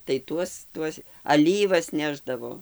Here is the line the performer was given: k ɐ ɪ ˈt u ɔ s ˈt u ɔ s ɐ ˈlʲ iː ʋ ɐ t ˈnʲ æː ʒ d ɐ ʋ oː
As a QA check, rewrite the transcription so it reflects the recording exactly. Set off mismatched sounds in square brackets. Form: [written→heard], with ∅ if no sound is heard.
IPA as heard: [k→t] ɐ ɪ ˈt u ɔ s ˈt u ɔ s ɐ ˈlʲ iː ʋ ɐ [t→s] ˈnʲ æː ʒ d ɐ ʋ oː